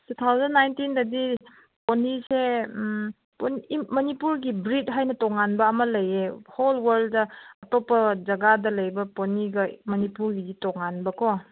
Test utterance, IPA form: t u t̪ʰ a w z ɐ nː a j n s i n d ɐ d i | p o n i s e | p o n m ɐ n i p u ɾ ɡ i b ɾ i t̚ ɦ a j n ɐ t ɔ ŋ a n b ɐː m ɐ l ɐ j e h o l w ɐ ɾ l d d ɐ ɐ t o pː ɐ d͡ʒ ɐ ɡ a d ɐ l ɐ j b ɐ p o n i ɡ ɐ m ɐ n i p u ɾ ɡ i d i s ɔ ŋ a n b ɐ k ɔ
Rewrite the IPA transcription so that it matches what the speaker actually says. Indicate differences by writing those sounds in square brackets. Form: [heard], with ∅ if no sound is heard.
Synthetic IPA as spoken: t u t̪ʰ a w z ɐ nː a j n [t] i n d ɐ d i | p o n i s e | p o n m ɐ n i p u ɾ ɡ i b ɾ i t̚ ɦ a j n ɐ t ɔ ŋ a n b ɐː m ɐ l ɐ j e h o l w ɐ ɾ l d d ɐ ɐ t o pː ɐ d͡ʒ ɐ ɡ a d ɐ l ɐ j b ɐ p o n i ɡ ɐ m ɐ n i p u ɾ ɡ i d i [t] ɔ ŋ a n b ɐ k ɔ